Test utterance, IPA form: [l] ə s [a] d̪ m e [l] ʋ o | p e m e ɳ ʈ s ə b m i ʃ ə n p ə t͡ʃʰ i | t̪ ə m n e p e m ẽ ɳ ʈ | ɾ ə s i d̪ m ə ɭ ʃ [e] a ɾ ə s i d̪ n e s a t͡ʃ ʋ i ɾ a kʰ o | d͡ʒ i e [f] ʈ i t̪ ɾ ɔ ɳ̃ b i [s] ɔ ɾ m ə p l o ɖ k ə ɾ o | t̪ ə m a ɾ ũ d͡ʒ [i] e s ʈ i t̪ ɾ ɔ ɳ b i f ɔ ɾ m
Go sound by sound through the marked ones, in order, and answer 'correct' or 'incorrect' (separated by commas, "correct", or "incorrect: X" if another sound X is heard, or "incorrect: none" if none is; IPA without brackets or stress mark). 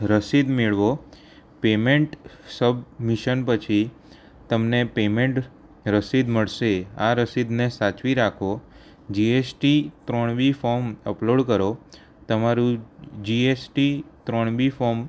incorrect: ɾ, incorrect: i, incorrect: ɭ, correct, incorrect: s, incorrect: f, correct